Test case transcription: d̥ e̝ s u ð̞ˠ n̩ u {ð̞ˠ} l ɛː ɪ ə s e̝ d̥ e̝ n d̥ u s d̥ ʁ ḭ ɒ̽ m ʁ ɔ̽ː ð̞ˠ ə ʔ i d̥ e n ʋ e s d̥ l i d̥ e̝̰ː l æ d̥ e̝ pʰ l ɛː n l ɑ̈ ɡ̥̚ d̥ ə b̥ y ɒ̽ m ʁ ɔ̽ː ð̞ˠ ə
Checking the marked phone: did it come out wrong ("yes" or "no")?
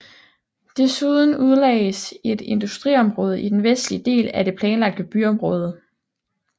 no